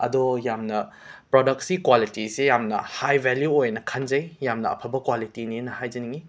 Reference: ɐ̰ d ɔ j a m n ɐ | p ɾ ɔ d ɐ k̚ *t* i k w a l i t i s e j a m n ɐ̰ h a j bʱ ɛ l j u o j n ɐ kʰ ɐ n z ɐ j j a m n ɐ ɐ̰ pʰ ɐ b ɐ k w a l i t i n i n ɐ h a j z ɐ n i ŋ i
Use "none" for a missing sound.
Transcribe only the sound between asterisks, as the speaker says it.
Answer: s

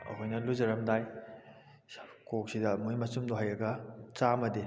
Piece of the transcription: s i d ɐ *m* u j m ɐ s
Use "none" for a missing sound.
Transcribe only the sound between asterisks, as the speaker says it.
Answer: m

